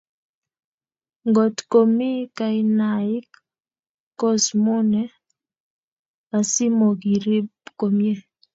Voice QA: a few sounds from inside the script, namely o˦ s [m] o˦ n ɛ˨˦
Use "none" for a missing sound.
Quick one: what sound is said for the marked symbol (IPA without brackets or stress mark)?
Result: m